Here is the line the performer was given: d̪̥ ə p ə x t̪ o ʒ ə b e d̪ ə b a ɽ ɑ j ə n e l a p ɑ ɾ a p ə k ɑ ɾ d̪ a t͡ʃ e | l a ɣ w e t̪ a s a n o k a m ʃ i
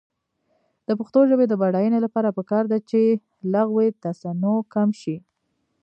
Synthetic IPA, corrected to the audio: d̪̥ ə p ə x t̪ o ʒ ə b e d̪ ə b a ɽ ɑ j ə n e l a p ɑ ɾ a p ə k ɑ ɾ d̪ a t͡ʃ e | l a ɣ w e t̪ a s a n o k a m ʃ i